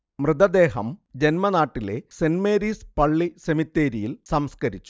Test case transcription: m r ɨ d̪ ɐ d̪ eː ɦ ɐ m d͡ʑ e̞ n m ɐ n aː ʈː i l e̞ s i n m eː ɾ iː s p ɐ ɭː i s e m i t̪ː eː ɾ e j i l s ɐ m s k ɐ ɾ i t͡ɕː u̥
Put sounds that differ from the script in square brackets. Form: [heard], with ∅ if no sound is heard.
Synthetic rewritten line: m r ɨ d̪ ɐ d̪ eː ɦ ɐ m d͡ʑ e̞ n m ɐ n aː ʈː i l e̞ s [e] n m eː ɾ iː s p ɐ ɭː i s e m i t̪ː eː ɾ [i] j i l s ɐ m s k ɐ ɾ i t͡ɕː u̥

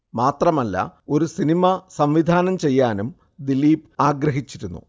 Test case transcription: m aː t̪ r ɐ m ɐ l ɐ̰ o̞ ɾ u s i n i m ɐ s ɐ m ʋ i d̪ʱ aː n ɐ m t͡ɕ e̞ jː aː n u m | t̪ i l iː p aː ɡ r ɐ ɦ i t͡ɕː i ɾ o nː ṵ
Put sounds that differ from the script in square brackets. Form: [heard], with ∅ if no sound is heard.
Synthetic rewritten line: m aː t̪ r ɐ m ɐ [lː] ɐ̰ o̞ ɾ u s i n i m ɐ s ɐ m ʋ i d̪ʱ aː n ɐ m t͡ɕ e̞ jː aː n u m | [d̪] i l iː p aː ɡ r ɐ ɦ i t͡ɕː i ɾ [u] nː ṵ

